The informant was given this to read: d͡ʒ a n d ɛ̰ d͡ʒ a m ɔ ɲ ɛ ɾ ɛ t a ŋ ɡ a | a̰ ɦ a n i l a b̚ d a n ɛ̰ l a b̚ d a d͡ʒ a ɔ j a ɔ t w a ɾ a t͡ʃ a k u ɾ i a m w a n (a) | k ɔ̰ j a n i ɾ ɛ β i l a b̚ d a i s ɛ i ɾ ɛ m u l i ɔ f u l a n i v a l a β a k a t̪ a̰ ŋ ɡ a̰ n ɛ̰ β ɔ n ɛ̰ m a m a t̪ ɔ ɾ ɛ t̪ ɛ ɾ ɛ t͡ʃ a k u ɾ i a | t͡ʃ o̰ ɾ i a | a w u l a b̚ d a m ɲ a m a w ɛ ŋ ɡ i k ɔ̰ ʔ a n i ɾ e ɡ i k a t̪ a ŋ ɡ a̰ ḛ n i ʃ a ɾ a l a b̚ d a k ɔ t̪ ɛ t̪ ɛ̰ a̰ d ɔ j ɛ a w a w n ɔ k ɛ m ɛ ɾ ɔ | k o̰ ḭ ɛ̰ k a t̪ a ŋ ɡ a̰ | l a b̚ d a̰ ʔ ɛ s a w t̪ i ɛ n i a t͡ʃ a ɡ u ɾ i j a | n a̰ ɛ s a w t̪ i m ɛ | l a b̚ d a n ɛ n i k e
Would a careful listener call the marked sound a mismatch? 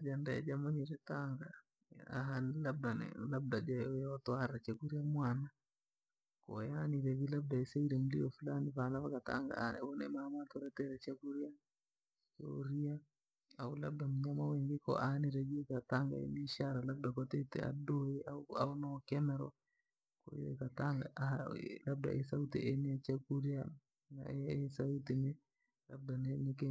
no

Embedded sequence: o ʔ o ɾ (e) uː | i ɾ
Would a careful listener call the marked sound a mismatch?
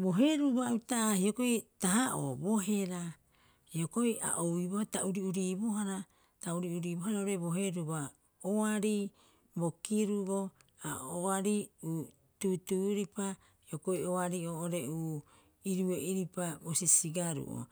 no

